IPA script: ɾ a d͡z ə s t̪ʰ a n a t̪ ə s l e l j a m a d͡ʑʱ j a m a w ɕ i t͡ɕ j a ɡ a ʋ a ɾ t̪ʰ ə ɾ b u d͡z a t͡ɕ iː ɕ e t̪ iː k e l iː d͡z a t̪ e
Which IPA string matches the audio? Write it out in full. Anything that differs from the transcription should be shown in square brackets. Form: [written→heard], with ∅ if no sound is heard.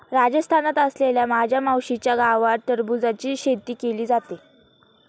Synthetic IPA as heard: ɾ a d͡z ə s t̪ʰ a n a t̪ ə s l e l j a m a d͡ʑʱ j a m a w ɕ i t͡ɕ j a ɡ a ʋ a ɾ [t̪ʰ→t̪] ə ɾ b u d͡z a t͡ɕ iː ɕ e t̪ iː k e l iː d͡z a t̪ e

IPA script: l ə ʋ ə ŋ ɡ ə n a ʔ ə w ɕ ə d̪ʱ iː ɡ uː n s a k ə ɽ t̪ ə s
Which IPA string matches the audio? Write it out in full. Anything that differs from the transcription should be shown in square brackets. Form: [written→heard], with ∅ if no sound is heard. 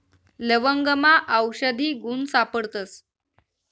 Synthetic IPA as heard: l ə ʋ ə ŋ ɡ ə [n→m] a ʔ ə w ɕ ə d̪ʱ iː ɡ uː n s a [k→p] ə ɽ t̪ ə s

